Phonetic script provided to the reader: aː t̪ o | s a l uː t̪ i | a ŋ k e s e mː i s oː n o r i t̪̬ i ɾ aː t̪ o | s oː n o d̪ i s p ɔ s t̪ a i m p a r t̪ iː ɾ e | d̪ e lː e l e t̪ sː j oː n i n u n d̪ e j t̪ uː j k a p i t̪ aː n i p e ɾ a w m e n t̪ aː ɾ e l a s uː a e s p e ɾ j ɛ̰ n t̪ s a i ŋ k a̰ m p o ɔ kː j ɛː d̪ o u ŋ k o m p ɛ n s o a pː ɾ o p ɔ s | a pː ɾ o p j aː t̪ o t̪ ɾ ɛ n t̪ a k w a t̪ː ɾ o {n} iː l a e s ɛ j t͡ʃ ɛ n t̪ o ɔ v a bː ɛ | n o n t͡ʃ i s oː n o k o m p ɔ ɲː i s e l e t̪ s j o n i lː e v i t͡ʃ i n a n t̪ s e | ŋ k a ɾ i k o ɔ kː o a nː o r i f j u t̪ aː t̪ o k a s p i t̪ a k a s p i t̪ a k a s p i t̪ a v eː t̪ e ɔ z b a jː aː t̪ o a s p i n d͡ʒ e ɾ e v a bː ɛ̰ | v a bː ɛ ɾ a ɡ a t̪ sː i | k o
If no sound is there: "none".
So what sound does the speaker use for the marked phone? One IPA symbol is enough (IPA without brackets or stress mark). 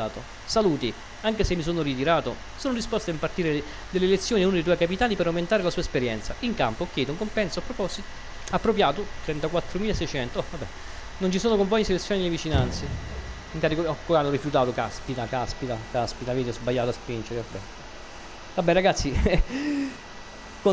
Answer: m